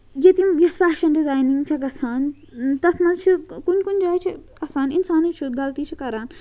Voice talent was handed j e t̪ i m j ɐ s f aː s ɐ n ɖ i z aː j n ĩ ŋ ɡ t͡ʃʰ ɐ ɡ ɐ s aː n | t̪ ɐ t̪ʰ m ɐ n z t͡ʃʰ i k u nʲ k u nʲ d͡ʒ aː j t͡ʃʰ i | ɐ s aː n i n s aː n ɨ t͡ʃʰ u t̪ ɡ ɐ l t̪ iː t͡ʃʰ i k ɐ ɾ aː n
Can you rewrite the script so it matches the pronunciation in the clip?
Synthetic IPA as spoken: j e t̪ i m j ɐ s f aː ʃ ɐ n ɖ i z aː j n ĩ ŋ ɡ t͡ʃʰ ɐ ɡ ɐ s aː n | t̪ ɐ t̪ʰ m ɐ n z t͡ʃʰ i k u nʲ k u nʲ d͡ʒ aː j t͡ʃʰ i | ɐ s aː n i n s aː n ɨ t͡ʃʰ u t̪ ɡ ɐ l t̪ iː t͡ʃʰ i k ɐ ɾ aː n